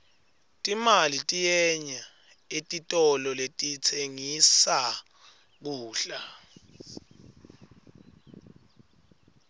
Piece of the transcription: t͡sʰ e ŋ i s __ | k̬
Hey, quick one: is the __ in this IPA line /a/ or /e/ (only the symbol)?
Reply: a